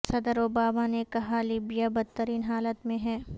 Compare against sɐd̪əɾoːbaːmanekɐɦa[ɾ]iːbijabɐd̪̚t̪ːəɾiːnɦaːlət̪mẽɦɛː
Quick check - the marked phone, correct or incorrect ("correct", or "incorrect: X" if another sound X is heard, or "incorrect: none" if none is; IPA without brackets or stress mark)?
incorrect: l